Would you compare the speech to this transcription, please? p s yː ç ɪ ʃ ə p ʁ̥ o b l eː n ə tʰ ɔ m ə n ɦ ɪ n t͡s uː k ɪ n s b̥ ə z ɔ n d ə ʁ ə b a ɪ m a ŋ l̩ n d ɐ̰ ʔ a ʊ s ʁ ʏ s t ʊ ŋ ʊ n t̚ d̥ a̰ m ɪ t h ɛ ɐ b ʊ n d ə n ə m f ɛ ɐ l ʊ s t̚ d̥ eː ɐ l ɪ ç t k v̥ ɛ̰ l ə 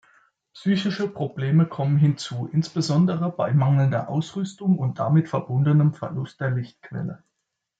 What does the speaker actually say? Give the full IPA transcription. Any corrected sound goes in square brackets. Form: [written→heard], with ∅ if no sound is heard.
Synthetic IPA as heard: p s yː ç ɪ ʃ ə p ʁ̥ o b l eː [n→m] ə [tʰ→kʰ] ɔ m ə n ɦ ɪ n t͡s uː [k→ʔ] ɪ n s b̥ ə z ɔ n d ə ʁ ə b a ɪ m a ŋ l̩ n d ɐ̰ ʔ a ʊ s ʁ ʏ s t ʊ ŋ ʊ n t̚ d̥ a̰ m ɪ t [h→f] ɛ ɐ b ʊ n d ə n ə m f ɛ ɐ l ʊ s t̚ d̥ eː ɐ l ɪ ç t k v̥ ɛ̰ l ə